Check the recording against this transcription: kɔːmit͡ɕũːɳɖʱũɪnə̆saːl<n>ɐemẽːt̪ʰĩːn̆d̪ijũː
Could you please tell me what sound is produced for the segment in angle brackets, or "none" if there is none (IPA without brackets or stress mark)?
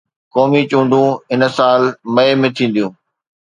m